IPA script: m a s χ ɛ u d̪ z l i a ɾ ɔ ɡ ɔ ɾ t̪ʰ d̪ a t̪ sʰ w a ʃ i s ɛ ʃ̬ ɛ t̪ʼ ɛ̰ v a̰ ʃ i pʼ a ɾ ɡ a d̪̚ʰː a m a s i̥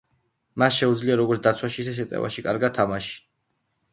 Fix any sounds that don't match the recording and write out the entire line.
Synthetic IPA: m a s ʃ ɛ u d̪ z l i a ɾ ɔ ɡ ɔ ɾ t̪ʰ d̪ a t̪ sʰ w a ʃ i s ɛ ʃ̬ ɛ t̪ʼ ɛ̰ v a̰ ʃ i kʼ a ɾ ɡ a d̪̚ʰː a m a ʃ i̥